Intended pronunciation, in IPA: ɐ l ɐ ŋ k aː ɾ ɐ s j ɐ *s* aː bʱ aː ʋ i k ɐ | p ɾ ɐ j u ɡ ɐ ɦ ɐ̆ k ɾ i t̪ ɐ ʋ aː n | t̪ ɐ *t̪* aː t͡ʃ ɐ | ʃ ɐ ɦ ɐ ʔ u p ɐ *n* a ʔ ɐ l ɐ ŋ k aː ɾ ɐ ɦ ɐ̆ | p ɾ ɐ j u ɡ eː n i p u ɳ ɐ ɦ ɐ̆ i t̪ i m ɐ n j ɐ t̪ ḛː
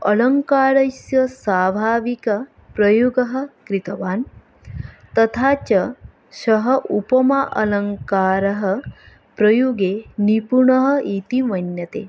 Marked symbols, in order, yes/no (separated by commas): yes, no, no